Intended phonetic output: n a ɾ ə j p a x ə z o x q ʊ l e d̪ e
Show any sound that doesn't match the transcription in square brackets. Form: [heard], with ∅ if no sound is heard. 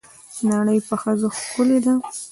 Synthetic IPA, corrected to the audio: n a [ɽ] ə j p [ə] x ə z o x [k] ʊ l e d̪ [a]